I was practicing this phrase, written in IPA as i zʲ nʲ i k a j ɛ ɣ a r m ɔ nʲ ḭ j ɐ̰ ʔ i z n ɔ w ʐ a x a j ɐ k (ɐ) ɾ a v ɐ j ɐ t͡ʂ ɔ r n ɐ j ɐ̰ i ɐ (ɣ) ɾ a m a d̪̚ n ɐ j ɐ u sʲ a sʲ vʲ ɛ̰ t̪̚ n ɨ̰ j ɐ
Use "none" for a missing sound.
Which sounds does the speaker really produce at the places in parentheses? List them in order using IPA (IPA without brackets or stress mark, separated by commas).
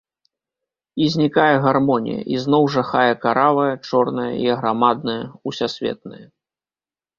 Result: a, ɣ